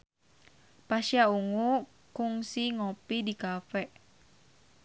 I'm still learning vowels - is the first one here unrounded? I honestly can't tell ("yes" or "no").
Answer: yes